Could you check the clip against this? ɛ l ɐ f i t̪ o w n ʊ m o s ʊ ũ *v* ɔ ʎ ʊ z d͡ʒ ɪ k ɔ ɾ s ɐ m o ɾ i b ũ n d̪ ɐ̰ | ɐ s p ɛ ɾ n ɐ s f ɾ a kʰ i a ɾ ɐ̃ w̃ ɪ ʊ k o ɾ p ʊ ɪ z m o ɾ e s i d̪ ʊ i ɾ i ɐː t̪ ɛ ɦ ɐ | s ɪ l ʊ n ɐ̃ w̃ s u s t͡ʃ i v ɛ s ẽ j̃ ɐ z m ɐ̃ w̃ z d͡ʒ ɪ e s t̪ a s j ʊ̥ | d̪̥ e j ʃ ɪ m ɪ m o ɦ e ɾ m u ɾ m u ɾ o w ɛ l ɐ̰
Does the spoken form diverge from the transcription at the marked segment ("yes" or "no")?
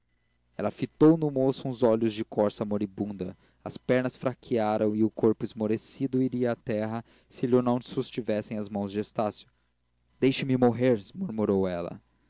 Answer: yes